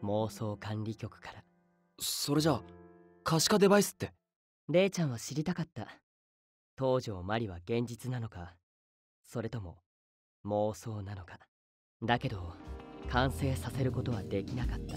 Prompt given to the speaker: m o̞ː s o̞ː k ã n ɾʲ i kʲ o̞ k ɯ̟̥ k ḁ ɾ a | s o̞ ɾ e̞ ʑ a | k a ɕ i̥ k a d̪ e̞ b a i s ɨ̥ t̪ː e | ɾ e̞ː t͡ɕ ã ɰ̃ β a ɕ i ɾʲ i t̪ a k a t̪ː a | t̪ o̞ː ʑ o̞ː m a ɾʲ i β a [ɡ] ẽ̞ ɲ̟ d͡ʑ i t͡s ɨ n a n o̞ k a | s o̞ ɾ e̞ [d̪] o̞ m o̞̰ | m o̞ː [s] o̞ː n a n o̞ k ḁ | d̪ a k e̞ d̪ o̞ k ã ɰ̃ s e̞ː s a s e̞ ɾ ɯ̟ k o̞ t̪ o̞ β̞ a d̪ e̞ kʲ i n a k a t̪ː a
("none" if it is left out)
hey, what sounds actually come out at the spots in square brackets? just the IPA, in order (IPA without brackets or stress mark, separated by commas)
ɡ, t̪, s